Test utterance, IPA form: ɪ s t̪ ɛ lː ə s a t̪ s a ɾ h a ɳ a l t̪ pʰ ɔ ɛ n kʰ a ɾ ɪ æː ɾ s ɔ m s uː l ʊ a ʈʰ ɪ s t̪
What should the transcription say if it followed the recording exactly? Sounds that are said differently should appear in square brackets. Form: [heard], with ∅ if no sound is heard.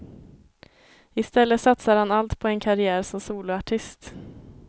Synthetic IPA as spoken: ɪ s t̪ ɛ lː ə s a t̪ s a ɾ h a [n] a l t̪ pʰ ɔ ɛ n kʰ a ɾ ɪ æː ɾ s ɔ m s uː l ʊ a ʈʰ ɪ s t̪